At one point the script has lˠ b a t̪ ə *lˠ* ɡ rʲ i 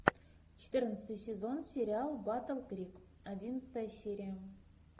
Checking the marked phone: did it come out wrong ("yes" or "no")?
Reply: no